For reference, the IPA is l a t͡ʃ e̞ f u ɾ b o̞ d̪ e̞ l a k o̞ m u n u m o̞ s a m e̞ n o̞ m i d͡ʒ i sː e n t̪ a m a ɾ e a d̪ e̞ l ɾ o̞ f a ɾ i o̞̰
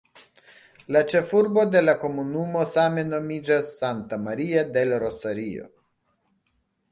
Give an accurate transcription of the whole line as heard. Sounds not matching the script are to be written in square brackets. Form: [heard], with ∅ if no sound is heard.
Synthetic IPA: l a t͡ʃ e̞ f u ɾ b o̞ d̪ e̞ l a k o̞ m u n u m o̞ s a m e̞ n o̞ m i d͡ʒ [a] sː [a] n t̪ a m a ɾ [i] a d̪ e̞ l ɾ o̞ [s] a ɾ i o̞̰